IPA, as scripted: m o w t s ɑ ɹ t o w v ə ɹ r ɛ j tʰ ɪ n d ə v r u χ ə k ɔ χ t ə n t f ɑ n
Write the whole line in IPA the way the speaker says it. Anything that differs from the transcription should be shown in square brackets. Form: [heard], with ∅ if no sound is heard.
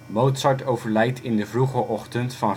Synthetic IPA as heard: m o w t s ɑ ɹ t o w v ə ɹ [l] ɛ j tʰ ɪ n d ə v r u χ ə [ʔ] ɔ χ t ə n t f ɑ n

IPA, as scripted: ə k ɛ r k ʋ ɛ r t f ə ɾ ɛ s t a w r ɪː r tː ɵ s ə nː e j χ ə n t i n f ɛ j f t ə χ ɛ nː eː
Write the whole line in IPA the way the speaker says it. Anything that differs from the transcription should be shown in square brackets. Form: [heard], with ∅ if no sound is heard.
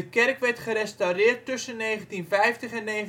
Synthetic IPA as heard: ə k ɛ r k ʋ ɛ r t [χ] ə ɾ ɛ s t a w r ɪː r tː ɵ s ə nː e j χ ə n t i n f ɛ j f t ə χ ɛ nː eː

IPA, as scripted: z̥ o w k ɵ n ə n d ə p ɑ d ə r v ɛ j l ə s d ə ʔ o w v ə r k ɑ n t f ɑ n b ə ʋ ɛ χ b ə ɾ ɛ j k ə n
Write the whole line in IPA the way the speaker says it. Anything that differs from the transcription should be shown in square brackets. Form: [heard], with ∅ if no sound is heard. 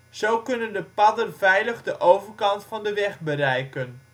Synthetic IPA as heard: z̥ o w k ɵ n ə n d ə p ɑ d ə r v ɛ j l ə [χ] d ə ʔ o w v ə r k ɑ n t f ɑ n [d] ə ʋ ɛ χ b ə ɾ ɛ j k ə n

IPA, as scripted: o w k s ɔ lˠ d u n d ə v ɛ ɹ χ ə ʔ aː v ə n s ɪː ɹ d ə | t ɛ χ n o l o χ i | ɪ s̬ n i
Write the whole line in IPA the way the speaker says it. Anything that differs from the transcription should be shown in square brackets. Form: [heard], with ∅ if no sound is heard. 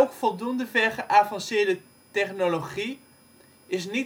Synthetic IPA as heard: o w k [f] ɔ lˠ d u n d ə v ɛ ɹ χ ə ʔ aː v [ɑ] n s ɪː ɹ d ə | t ɛ χ n o l o χ i | ɪ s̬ n i

